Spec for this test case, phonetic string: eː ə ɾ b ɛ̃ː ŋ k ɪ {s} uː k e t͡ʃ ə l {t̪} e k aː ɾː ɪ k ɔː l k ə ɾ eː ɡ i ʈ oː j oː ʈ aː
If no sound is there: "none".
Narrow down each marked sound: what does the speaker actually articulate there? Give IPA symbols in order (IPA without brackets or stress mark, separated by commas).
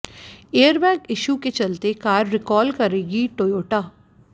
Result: ʃ, t̪